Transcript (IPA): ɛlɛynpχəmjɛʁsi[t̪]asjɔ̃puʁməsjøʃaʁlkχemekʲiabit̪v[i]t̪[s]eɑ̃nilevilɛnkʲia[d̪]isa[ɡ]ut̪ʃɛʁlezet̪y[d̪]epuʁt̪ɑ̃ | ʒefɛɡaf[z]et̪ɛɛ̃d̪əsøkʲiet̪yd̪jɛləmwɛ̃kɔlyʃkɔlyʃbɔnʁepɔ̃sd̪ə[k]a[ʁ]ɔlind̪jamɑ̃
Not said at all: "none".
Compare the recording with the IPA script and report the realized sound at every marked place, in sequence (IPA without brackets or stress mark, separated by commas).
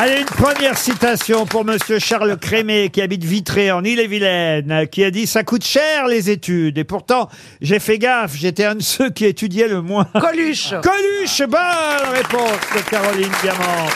t̪, i, χ, d̪, k, d̪, ʒ, k, ʁ